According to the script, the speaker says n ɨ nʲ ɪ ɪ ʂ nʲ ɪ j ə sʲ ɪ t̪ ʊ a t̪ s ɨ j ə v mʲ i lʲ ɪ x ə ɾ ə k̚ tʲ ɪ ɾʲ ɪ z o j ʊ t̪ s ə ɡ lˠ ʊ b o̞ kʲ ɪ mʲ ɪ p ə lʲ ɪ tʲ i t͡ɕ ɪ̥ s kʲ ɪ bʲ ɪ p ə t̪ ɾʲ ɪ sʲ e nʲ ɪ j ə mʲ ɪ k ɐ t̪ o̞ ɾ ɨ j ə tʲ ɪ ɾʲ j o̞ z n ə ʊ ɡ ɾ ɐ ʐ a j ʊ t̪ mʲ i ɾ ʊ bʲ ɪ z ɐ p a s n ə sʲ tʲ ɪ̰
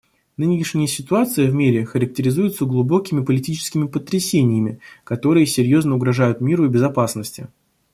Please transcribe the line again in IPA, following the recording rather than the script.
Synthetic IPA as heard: n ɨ nʲ ɪ ɪ ʂ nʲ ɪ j ə sʲ ɪ t̪ ʊ a t̪ s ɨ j ə v mʲ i ɾʲ ɪ x ə ɾ ə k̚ tʲ ɪ ɾʲ ɪ z u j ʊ t̪ s ə ɡ lˠ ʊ b o̞ kʲ ɪ mʲ ɪ p ə lʲ ɪ tʲ i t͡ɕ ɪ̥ s kʲ ɪ mʲ ɪ p ə t̪ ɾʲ ɪ sʲ e nʲ ɪ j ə mʲ ɪ k ɐ t̪ o̞ ɾ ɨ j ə sʲ ɪ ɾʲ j o̞ z n ə ʊ ɡ ɾ ɐ ʐ a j ʊ t̪ mʲ i ɾ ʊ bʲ ɪ z ɐ p a s n ə sʲ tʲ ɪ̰